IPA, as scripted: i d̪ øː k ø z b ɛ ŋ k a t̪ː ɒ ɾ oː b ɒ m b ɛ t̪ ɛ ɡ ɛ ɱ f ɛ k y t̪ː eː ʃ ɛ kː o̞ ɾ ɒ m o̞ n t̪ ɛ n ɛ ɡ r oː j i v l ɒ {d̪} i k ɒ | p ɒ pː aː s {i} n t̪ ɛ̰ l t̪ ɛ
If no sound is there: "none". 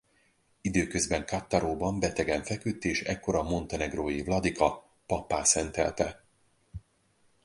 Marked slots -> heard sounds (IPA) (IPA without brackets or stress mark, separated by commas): d̪, ɛ